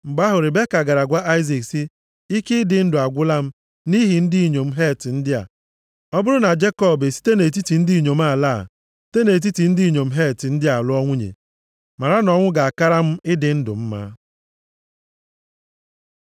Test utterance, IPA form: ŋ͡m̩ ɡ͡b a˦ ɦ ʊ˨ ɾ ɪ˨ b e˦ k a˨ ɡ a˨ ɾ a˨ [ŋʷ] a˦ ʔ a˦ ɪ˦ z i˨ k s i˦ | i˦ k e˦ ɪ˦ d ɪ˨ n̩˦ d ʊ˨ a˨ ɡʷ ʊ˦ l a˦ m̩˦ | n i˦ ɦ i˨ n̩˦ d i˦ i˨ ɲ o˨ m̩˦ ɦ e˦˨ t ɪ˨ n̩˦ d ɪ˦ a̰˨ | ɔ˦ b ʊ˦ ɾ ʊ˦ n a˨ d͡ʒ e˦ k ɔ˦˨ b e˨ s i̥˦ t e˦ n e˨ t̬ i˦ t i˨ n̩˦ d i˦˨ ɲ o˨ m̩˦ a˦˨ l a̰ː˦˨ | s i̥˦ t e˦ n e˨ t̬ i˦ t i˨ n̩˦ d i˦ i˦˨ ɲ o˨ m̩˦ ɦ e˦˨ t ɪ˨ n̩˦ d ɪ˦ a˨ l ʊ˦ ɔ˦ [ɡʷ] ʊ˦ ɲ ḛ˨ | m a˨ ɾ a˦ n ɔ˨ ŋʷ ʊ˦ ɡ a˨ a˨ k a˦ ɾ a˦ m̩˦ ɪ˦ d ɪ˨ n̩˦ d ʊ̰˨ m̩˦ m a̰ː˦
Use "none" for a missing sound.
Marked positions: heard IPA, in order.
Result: ɡʷ, ŋʷ

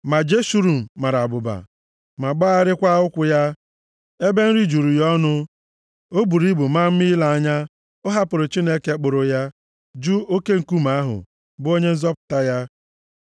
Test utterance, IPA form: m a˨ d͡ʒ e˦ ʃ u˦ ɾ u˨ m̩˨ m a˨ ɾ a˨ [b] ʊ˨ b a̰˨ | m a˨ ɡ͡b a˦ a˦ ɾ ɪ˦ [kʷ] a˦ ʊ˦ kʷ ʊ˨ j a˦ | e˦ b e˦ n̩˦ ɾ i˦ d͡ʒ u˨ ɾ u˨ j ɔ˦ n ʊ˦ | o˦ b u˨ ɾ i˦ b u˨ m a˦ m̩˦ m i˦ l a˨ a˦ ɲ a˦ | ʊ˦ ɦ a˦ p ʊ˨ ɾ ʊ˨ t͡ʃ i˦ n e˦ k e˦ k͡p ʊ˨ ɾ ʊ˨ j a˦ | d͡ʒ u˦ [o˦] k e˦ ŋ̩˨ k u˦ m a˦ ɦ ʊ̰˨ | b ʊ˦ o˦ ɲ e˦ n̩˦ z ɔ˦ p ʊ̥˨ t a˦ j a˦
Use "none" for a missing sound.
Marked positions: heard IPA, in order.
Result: b, kʷ, o˦

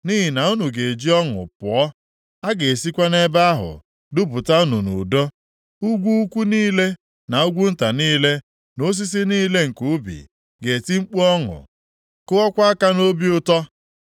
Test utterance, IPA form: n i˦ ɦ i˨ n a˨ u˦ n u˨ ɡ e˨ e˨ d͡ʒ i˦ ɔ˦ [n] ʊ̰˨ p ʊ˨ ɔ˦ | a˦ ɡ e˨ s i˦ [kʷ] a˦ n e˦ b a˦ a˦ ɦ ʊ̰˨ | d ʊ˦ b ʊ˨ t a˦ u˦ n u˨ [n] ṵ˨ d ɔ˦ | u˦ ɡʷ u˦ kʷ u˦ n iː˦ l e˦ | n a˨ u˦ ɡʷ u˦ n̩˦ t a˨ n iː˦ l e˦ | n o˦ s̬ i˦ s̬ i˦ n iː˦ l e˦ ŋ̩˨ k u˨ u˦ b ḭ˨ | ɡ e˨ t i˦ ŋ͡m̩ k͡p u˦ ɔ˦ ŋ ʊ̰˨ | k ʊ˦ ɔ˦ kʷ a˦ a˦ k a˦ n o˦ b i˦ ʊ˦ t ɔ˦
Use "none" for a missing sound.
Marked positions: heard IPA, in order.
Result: ŋ, kʷ, n

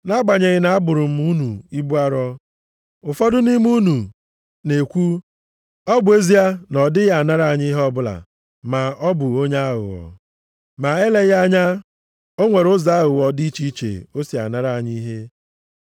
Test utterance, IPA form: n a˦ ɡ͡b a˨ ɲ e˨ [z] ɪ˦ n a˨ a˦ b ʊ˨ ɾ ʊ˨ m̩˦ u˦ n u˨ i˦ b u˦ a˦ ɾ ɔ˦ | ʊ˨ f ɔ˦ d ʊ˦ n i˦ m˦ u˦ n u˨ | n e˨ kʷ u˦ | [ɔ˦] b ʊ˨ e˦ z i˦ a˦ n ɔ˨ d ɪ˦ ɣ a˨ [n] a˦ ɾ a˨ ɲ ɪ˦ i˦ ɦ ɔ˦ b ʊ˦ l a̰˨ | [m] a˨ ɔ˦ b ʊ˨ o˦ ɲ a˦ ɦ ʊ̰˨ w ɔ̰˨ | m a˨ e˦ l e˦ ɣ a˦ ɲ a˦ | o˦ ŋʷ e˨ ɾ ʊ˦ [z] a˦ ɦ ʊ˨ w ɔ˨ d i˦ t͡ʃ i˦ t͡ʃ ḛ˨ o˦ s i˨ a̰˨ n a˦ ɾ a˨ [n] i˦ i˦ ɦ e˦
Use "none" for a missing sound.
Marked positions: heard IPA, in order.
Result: ɣ, ɔ˦, n, m, z, ɲ

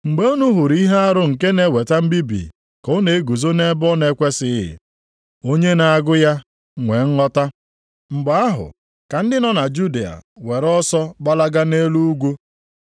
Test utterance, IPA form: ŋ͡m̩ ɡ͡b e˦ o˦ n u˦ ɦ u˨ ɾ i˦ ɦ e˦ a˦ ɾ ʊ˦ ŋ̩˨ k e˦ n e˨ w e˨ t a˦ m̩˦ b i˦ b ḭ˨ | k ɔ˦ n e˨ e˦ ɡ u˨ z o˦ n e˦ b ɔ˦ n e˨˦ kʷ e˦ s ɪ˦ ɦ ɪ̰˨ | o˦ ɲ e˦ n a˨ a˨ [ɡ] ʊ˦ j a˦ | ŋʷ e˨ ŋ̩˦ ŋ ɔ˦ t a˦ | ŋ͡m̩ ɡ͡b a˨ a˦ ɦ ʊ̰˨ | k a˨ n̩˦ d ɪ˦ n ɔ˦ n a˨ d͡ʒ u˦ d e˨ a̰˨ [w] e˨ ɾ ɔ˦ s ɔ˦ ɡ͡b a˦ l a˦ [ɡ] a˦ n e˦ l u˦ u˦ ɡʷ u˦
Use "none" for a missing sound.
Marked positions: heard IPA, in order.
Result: ɡ, w, ɡ

